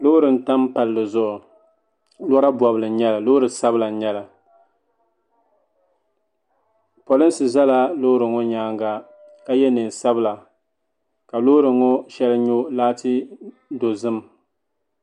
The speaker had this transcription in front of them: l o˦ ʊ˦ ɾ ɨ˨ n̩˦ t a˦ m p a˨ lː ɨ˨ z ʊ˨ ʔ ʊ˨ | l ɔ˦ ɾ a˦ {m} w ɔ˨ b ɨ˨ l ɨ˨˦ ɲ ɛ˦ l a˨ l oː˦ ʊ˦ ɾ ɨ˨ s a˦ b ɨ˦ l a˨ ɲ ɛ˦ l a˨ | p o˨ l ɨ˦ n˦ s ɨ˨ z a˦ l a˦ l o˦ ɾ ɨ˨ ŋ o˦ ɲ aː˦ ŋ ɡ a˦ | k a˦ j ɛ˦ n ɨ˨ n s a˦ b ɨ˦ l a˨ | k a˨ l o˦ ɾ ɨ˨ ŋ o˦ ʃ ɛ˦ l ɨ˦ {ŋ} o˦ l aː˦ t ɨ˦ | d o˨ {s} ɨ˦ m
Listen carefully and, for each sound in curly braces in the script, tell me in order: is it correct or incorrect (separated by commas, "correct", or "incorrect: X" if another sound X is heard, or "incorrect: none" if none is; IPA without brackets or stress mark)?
incorrect: b, incorrect: ɲ, incorrect: z